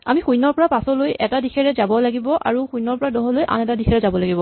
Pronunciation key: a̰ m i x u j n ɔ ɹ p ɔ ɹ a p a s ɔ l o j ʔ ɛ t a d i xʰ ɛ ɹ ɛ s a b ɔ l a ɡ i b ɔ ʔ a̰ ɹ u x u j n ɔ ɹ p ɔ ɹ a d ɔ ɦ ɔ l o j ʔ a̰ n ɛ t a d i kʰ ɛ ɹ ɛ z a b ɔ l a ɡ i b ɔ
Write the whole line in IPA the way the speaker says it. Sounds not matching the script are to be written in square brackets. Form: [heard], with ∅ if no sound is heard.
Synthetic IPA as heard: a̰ m i x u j n ɔ ɹ p ɔ ɹ a p a s ɔ l o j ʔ ɛ t a d i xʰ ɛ ɹ ɛ [z] a b ɔ l a ɡ i b ɔ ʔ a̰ ɹ u x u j n ɔ ɹ p ɔ ɹ a d ɔ ɦ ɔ l o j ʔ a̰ n ɛ t a d i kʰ ɛ ɹ ɛ z a b ɔ l a ɡ i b ɔ